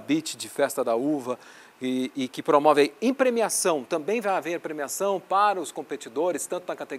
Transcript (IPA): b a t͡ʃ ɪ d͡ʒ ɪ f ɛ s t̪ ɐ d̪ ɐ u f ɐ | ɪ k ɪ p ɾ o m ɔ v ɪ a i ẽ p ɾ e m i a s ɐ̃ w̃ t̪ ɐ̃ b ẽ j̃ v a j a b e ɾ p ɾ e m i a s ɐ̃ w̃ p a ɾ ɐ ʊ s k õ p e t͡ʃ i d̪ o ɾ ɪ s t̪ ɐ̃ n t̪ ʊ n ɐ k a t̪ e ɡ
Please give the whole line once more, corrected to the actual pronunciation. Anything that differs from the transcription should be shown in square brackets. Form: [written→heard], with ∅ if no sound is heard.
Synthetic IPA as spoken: b [a→i] t͡ʃ ɪ d͡ʒ ɪ f ɛ s t̪ ɐ d̪ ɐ u [f→v] ɐ | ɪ k ɪ p ɾ o m ɔ v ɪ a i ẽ p ɾ e m i a s ɐ̃ w̃ t̪ ɐ̃ b ẽ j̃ v a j a [b→v] e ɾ p ɾ e m i a s ɐ̃ w̃ p a ɾ ɐ ʊ s k õ p e t͡ʃ i d̪ o ɾ ɪ s t̪ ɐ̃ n t̪ ʊ n ɐ k a t̪ e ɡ